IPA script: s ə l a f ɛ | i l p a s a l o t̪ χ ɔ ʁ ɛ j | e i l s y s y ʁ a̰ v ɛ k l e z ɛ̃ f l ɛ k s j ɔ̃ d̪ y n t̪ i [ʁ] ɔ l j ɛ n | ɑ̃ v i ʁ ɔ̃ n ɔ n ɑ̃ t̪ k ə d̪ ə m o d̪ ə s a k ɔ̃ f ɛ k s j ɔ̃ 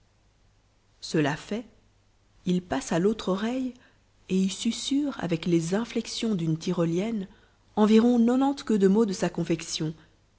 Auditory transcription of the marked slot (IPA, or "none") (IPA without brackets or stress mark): ʁ